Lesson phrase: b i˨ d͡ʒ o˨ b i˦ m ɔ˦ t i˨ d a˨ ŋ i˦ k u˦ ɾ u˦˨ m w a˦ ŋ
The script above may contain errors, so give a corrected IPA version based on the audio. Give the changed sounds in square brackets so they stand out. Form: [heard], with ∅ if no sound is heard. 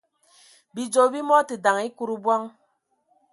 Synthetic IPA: b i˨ d͡ʒ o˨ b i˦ m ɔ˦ t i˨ d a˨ ŋ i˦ k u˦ ɾ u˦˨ [b] w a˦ ŋ